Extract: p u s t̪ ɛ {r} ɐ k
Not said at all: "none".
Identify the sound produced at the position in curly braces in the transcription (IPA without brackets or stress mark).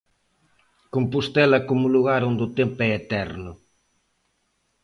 l